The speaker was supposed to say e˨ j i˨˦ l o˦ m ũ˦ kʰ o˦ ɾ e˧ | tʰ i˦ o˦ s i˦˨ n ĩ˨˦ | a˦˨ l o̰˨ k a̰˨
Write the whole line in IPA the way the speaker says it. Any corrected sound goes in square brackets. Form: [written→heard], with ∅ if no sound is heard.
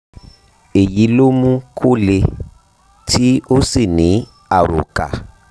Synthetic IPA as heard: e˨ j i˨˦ l o˦ m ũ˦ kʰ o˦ [ɾ→l] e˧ | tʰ i˦ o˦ s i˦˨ n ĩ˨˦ | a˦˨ [l→ɾ] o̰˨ k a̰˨